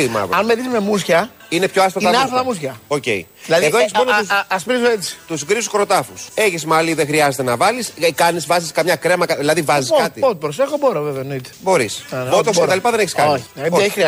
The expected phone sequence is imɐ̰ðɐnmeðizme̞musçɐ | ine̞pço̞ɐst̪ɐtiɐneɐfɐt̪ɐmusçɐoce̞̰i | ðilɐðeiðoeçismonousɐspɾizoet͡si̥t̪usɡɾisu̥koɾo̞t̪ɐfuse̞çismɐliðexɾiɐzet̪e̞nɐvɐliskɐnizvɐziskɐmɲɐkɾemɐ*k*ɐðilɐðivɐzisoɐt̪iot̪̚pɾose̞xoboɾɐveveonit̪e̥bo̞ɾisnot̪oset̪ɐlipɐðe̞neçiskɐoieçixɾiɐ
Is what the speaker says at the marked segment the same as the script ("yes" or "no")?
yes